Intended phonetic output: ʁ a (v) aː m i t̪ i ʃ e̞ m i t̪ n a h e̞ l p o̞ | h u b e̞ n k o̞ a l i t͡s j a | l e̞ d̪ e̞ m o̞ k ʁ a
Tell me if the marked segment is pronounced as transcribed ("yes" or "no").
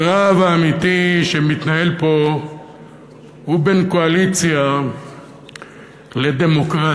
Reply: yes